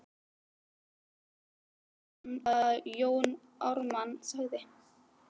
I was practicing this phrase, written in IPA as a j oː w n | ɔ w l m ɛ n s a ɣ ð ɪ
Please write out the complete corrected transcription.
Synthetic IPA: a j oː w n | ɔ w ɾ m a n s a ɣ ð ɪ